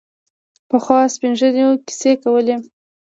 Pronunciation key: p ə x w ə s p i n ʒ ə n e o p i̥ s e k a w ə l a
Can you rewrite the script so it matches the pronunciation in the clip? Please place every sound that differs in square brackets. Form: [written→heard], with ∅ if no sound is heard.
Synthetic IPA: p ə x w [ə→ɑ] s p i n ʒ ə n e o [p→k] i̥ s e k a w ə l [a→e]